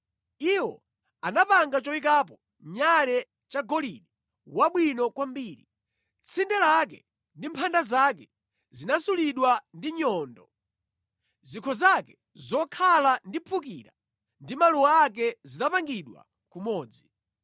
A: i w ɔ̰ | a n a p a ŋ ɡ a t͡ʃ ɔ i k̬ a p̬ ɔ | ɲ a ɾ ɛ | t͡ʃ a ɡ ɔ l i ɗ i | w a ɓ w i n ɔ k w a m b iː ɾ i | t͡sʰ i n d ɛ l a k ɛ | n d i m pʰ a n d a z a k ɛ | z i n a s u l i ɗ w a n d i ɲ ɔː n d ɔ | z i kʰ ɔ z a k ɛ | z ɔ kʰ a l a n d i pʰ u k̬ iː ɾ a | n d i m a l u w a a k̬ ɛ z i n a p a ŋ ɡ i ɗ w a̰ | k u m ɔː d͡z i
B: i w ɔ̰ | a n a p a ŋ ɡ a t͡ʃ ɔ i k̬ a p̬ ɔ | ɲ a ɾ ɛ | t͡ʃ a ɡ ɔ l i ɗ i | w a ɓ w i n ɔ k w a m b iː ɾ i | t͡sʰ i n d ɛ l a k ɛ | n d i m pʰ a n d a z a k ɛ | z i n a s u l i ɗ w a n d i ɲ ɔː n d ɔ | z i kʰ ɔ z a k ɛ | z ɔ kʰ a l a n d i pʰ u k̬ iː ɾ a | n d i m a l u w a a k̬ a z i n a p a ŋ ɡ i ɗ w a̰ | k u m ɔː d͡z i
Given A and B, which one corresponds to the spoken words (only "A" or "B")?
A